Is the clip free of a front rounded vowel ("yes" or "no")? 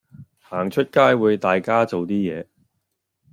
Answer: yes